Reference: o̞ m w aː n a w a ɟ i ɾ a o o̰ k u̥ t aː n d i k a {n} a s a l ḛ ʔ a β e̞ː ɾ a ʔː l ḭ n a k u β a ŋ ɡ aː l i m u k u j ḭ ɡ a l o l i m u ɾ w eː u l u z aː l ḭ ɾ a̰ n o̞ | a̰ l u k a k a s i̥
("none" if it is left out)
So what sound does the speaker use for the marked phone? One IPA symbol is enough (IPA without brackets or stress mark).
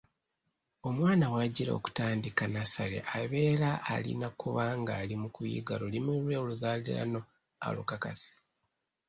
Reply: n